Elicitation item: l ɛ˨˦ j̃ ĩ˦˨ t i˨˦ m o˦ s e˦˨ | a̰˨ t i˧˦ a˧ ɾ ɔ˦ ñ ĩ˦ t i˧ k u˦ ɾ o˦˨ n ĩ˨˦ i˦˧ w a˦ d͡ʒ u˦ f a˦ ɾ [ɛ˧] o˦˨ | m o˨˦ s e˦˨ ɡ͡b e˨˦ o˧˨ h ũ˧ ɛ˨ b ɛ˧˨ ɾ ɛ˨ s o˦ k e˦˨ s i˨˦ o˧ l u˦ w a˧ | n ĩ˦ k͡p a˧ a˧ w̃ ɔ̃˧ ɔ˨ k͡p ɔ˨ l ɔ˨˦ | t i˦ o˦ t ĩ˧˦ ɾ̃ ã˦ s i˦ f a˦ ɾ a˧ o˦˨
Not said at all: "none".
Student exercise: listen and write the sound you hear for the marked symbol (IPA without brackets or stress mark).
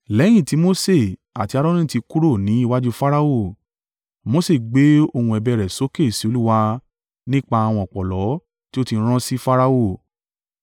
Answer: a˧